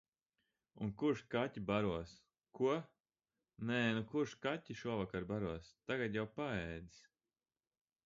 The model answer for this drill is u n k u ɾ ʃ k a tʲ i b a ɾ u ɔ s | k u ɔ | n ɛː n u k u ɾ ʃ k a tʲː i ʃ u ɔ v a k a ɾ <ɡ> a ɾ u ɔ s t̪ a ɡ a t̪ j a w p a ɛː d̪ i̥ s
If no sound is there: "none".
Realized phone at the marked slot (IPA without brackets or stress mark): b